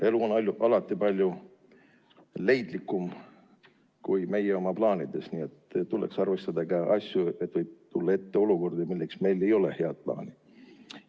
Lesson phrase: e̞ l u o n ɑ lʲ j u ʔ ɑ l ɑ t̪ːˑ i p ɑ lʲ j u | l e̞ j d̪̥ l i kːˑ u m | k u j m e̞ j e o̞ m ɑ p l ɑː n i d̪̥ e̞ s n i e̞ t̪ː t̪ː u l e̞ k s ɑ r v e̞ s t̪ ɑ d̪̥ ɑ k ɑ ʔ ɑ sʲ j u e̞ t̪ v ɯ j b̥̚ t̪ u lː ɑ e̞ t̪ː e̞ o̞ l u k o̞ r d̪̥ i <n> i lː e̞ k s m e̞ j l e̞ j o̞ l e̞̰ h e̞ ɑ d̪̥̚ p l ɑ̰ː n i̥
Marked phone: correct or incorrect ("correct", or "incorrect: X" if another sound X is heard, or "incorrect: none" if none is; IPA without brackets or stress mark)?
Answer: incorrect: m